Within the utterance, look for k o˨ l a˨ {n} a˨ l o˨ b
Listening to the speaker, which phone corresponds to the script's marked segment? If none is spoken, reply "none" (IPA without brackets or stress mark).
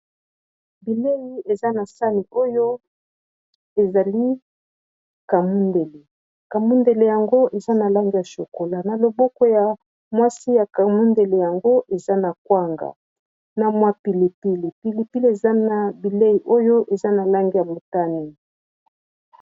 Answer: n